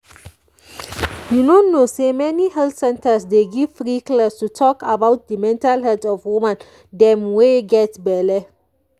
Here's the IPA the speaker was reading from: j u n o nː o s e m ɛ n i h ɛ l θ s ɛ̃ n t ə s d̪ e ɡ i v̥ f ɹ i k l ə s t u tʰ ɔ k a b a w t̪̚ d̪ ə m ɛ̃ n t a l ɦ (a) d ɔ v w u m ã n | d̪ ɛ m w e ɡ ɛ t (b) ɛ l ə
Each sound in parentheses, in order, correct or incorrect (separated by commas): incorrect, correct